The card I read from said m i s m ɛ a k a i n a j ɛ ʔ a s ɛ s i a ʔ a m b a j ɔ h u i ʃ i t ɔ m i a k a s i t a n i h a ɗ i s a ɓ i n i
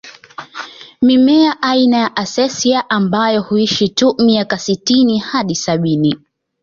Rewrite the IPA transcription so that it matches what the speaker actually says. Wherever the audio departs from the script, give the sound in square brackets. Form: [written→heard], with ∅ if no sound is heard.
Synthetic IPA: m i [s→∅] m ɛ a [k→ʔ] a i n a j [ɛ→a] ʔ a s ɛ s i a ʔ a m b a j ɔ h u i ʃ i t [ɔ→u] m i a k a s i t [a→i] n i h a ɗ i s a ɓ i n i